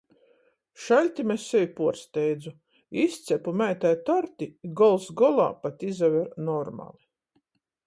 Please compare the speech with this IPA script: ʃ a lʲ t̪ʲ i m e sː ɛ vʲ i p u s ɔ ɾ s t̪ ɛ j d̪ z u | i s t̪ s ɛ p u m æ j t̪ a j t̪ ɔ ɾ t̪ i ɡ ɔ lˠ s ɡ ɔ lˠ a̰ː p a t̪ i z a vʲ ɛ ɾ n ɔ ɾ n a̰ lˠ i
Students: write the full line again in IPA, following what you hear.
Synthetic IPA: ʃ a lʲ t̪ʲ i m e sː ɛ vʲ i p u ɔ ɾ s t̪ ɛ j d̪ z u | i s t̪ s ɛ p u m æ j t̪ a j t̪ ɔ ɾ t̪ i ɡ ɔ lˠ s ɡ ɔ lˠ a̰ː p a t̪ i z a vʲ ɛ ɾ n ɔ ɾ m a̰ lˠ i